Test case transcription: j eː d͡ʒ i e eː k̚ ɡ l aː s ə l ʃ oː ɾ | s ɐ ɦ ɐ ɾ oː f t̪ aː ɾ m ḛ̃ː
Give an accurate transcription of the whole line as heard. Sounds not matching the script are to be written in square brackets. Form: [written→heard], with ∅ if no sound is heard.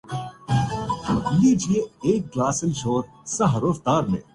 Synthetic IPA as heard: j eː d͡ʒ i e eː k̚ ɡ l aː s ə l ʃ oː ɾ | s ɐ ɦ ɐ ɾ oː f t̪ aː ɾ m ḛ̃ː